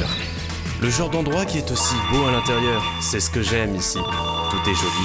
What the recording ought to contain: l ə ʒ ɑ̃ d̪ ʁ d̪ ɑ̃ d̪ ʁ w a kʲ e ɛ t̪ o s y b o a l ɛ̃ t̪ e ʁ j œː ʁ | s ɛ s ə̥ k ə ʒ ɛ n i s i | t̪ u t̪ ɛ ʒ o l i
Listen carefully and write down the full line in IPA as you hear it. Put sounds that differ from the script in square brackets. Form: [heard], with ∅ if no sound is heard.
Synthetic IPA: l ə ʒ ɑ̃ [∅] ʁ d̪ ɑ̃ d̪ ʁ w a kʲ [i] ɛ t̪ o s [i] b o a l ɛ̃ t̪ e ʁ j œː ʁ | s ɛ s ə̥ k ə ʒ ɛ [m] i s i | t̪ u t̪ ɛ ʒ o l i